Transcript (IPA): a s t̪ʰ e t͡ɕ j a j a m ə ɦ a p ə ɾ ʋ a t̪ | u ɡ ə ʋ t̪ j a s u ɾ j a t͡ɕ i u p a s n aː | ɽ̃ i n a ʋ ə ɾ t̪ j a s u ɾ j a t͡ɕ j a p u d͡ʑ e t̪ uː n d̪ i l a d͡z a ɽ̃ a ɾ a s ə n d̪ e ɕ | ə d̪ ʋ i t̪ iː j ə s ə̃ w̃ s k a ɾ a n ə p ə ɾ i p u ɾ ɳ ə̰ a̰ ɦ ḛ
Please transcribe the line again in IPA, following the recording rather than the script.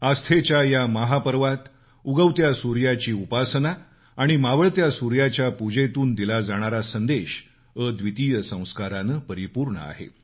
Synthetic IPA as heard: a s t̪ʰ e t͡ɕ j a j a m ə ɦ a p ə ɾ ʋ a t̪ | u ɡ ə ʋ t̪ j a s u ɾ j a t͡ɕ iː u p a s n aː | ɽ̃ i m a ʋ ə ɭ t̪ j a s u ɾ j a t͡ɕ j a p u d͡ʑ e t̪ uː n d̪ i l a d͡z a ɽ̃ a ɾ a s ə n d̪ e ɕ | ə d̪ ʋ i t̪ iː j ə s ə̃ w̃ s k a ɾ a n ə p ə ɾ i p u ɾ ɳ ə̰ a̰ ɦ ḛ